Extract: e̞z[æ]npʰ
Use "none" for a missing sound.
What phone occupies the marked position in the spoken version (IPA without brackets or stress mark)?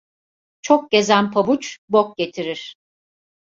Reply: æ